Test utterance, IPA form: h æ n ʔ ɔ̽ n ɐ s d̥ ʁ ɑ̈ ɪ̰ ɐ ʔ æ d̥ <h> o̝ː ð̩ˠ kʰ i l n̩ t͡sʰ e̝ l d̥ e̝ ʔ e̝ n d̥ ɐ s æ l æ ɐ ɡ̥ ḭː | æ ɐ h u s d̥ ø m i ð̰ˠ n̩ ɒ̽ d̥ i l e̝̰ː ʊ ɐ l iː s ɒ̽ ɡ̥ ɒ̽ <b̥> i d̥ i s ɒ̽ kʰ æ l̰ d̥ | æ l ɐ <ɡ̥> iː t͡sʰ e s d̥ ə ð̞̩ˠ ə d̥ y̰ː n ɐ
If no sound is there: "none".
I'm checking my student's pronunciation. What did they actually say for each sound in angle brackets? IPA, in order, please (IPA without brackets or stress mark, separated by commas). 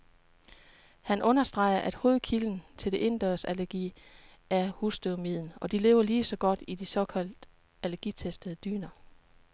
h, d̥, ɡ̥